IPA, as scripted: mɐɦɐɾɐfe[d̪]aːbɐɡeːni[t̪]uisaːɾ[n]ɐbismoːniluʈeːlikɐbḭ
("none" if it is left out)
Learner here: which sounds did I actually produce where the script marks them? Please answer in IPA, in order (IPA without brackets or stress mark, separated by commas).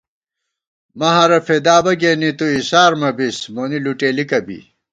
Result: d̪, t̪, m